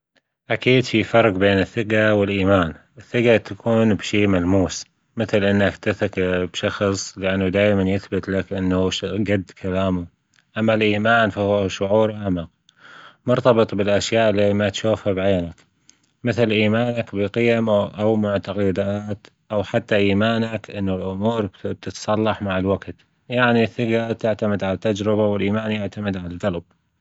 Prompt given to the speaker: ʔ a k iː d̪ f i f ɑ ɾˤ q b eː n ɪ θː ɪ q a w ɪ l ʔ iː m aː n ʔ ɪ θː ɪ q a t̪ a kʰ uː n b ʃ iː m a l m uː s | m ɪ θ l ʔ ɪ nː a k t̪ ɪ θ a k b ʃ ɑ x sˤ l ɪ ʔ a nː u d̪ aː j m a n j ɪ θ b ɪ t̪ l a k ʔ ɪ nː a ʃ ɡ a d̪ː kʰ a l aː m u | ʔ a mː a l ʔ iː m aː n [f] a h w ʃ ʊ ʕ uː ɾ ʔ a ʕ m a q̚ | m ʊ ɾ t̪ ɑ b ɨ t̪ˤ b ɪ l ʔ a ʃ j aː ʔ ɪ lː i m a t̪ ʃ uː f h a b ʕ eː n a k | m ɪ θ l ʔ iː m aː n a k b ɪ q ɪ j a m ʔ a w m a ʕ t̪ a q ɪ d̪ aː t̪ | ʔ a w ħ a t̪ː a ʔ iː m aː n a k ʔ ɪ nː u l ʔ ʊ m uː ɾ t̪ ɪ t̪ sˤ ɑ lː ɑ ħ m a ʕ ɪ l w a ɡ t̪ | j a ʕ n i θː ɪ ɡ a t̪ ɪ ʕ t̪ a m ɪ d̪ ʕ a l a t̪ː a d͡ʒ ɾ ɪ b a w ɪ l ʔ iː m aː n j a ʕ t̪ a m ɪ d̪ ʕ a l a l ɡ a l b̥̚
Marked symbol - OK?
yes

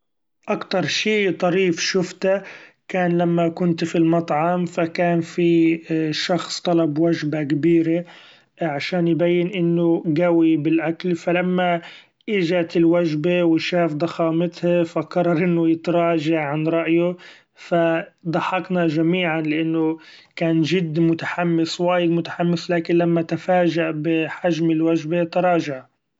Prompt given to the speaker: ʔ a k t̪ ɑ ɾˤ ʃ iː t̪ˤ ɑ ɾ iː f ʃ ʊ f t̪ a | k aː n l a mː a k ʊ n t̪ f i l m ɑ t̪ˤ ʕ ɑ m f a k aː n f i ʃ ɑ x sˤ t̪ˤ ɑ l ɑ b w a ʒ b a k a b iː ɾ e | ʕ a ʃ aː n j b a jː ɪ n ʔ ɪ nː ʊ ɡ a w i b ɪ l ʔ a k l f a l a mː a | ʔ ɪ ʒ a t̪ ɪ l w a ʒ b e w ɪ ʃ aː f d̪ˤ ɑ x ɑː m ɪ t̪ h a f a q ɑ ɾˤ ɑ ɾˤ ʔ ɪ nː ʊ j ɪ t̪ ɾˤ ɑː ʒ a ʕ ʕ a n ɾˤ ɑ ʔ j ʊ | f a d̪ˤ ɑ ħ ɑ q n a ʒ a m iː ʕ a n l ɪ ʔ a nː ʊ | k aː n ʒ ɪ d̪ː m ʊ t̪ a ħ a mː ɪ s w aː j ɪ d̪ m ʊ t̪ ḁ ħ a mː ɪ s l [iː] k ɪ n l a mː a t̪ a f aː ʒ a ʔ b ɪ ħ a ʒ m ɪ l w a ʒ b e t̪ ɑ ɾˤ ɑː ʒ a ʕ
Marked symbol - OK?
no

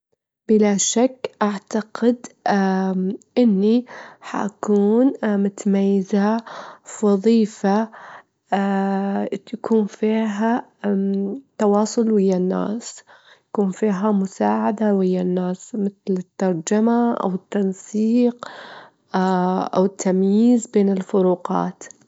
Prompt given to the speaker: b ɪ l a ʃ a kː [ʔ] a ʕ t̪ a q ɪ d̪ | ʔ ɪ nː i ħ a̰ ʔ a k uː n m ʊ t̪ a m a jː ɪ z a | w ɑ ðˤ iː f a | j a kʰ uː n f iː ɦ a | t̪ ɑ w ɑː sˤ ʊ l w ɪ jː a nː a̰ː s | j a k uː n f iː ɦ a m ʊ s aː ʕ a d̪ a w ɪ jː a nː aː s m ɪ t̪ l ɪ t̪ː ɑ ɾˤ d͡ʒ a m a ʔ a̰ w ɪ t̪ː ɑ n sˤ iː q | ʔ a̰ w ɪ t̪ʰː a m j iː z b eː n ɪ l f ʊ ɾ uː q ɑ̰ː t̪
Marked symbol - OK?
yes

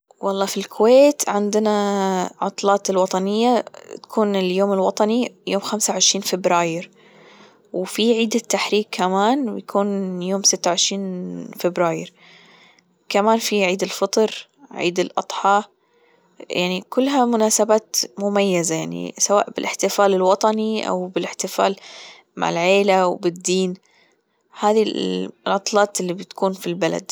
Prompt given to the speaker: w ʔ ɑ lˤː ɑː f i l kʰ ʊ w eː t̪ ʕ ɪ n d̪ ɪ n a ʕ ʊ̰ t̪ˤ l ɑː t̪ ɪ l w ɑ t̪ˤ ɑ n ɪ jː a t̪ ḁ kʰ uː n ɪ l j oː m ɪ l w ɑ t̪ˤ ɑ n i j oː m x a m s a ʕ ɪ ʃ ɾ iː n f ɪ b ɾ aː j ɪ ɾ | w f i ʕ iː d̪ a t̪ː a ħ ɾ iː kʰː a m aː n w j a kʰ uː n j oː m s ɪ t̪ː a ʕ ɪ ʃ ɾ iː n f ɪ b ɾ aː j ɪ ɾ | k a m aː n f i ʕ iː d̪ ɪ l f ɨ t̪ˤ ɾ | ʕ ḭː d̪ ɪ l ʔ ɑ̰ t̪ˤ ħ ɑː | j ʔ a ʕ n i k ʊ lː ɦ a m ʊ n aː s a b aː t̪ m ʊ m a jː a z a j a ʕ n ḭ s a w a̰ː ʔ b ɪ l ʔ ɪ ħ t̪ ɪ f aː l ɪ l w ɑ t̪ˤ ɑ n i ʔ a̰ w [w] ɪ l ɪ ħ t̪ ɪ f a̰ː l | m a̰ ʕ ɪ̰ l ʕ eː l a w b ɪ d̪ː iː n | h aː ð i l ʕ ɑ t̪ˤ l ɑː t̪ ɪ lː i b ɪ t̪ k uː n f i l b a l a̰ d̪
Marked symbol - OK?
no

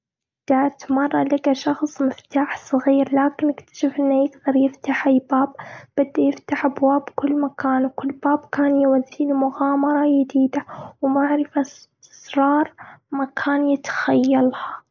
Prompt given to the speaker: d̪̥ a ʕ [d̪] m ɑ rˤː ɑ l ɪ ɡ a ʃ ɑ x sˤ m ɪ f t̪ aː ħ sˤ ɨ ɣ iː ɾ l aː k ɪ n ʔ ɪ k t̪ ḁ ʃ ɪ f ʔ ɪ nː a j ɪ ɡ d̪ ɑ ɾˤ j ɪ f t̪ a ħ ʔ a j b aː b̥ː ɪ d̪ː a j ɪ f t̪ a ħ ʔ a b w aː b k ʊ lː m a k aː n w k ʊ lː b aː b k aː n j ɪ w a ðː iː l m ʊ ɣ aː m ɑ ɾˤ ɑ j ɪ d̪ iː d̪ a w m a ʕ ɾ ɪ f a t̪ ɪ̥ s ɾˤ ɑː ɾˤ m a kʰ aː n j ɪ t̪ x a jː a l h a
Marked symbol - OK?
no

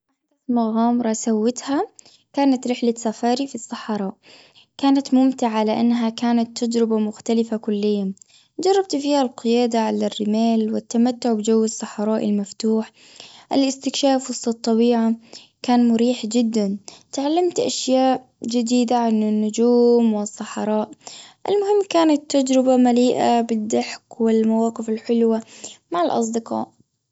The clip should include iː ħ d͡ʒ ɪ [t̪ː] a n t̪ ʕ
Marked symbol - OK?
no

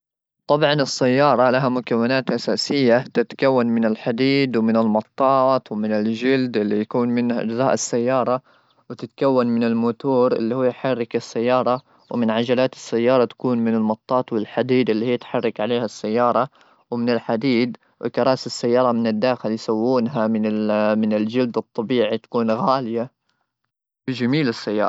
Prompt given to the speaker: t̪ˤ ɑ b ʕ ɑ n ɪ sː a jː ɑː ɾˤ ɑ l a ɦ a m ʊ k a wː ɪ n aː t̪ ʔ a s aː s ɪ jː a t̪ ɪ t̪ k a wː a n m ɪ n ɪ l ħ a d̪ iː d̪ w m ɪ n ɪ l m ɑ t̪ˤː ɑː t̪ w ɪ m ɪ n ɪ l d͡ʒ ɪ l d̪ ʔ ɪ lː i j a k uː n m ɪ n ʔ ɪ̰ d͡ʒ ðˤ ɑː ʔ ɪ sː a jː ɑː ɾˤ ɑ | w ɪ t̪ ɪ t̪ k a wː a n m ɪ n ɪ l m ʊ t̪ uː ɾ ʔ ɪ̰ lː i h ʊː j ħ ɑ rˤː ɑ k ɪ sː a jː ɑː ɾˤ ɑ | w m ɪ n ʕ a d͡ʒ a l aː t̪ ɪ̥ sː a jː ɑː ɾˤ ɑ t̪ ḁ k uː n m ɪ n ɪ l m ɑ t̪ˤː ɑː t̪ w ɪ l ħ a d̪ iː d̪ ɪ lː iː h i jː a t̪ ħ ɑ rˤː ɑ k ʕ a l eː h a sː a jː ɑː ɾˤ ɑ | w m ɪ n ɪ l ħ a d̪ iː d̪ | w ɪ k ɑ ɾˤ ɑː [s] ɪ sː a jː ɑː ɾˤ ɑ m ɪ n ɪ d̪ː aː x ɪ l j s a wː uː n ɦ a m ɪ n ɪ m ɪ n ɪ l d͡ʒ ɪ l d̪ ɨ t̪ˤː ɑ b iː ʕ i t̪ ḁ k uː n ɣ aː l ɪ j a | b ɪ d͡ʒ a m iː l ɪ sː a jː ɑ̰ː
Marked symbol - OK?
yes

